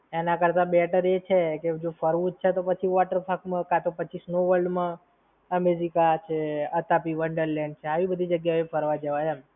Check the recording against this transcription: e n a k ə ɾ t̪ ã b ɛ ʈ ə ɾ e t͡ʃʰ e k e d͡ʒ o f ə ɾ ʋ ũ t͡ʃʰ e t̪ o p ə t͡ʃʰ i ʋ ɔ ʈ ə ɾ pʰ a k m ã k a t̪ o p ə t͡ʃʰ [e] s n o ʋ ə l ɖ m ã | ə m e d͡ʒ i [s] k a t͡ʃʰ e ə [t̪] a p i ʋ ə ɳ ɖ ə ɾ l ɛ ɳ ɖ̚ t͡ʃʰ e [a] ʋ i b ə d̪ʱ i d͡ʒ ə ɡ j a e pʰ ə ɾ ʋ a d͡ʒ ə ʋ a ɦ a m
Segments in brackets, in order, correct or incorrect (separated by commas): incorrect, incorrect, correct, correct